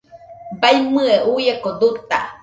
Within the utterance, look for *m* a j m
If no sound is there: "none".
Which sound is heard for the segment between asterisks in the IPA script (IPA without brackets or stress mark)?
b